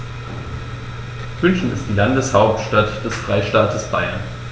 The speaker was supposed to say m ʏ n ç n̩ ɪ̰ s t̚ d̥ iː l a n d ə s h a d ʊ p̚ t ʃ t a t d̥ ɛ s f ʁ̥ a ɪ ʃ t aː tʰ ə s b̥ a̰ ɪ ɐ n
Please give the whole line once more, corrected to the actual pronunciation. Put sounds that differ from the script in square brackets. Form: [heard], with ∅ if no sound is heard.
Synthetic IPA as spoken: m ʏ n ç n̩ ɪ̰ s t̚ d̥ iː l a n d ə s h a [∅] ʊ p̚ t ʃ t a t d̥ ɛ s f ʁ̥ a ɪ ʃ t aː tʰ ə s b̥ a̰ ɪ ɐ n